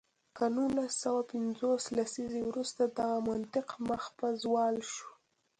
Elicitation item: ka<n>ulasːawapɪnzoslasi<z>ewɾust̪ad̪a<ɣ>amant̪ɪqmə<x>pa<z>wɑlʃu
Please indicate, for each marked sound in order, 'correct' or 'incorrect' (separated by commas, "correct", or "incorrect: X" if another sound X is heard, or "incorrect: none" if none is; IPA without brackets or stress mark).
correct, correct, correct, correct, correct